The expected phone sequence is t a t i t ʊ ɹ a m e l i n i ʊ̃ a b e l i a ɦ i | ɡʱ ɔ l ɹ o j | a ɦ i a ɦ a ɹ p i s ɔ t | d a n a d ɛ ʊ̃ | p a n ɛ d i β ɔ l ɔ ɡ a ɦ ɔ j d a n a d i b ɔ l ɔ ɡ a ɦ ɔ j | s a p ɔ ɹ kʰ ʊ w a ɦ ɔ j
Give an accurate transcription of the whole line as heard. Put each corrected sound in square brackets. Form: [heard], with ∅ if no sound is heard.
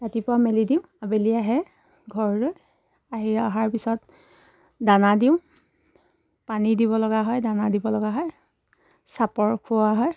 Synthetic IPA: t a t i [p] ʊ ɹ a m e l i [d] i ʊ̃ a b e l i a ɦ [ɛ] | ɡʱ ɔ [ɹ] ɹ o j | a ɦ i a ɦ a ɹ p i s ɔ t | d a n a d [i] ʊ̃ | p a n [i] d i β ɔ l ɔ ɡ a ɦ ɔ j d a n a d i b ɔ l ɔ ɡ a ɦ ɔ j | s a p ɔ ɹ kʰ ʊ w a ɦ ɔ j